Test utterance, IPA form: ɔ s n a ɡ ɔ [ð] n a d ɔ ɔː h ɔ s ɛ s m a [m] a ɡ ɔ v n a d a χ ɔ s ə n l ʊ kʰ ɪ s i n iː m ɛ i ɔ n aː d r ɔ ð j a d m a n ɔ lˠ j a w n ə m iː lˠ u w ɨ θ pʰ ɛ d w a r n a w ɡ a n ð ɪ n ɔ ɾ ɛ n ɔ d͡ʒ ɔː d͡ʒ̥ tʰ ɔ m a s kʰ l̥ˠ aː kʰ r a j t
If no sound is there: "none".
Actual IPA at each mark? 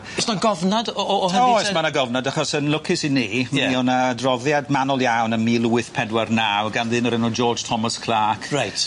v, n

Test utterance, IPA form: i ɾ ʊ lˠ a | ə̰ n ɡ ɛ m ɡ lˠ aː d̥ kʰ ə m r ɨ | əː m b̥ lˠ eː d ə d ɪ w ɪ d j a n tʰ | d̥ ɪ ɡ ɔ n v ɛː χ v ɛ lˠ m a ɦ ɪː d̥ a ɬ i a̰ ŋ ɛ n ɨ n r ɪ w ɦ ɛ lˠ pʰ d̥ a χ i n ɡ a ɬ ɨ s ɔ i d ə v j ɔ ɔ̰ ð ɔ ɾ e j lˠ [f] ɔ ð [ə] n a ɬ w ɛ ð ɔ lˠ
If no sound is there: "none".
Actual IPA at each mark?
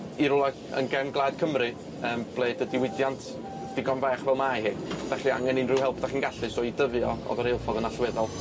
f, ə

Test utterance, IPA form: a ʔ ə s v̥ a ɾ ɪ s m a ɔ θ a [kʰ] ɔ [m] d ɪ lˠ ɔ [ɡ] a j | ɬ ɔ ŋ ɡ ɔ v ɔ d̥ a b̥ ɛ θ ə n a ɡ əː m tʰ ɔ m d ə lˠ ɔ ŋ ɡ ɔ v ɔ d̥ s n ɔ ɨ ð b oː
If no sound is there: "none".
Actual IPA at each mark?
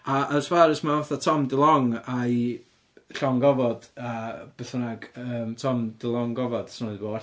tʰ, m, ŋ

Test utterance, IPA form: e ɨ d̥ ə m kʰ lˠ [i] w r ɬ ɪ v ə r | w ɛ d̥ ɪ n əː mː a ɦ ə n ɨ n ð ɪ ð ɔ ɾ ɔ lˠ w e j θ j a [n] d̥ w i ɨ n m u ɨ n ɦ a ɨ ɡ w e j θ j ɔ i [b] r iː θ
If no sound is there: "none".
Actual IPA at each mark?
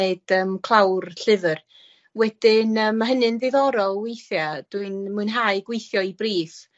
a, none, b

